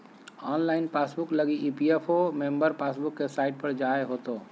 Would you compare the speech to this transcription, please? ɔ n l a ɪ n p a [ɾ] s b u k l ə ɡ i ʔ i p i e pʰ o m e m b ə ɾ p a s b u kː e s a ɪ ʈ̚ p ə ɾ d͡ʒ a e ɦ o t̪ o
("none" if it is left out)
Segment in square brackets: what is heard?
none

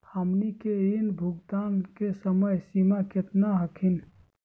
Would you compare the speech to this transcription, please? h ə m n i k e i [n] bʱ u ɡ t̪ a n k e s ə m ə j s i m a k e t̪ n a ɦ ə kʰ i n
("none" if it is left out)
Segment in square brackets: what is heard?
n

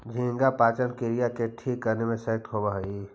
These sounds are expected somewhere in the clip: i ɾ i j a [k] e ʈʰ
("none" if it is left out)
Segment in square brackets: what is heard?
k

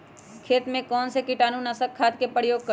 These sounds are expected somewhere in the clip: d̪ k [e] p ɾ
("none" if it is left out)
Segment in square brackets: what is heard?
e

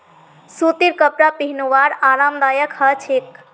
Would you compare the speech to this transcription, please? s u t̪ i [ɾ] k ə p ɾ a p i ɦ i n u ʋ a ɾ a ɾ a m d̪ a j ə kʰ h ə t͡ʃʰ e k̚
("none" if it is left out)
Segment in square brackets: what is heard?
ɾ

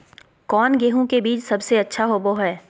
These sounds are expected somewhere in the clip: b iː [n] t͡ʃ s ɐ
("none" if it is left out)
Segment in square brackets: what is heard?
none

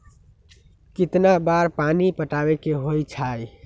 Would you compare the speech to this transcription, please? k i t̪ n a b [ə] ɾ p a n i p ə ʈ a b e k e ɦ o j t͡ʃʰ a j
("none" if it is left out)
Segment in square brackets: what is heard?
a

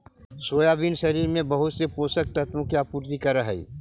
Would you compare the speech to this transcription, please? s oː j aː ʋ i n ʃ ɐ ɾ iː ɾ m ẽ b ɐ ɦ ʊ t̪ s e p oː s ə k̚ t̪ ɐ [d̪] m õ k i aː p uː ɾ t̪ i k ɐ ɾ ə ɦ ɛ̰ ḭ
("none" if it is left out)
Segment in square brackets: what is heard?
t̪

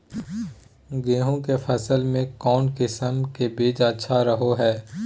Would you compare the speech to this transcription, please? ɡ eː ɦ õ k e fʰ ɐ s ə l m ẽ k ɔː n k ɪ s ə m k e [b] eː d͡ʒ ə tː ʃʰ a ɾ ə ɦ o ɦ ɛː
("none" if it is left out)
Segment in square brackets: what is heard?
b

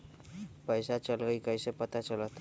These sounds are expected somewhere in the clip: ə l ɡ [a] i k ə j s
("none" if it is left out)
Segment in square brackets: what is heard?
ə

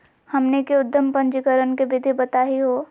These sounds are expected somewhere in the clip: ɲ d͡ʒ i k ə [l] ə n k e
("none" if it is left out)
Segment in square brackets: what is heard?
ɾ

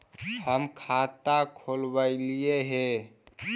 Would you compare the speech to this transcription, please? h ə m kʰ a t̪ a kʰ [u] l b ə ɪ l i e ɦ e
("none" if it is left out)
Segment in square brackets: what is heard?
o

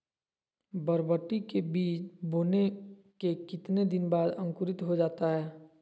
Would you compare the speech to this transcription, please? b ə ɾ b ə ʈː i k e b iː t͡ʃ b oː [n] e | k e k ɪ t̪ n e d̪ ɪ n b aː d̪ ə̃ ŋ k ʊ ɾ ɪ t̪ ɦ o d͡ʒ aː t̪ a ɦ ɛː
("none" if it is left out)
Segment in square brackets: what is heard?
n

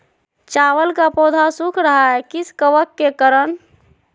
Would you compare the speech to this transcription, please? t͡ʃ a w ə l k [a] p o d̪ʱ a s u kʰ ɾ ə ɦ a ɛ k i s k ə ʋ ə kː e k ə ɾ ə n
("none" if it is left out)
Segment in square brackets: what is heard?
a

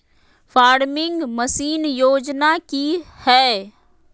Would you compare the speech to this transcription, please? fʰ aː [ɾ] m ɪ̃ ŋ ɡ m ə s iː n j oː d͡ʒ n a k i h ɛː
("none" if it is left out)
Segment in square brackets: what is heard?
ɾ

